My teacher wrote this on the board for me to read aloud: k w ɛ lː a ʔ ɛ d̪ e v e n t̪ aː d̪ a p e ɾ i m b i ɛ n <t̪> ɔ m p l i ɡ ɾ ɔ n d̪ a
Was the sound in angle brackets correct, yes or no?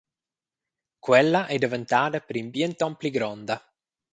yes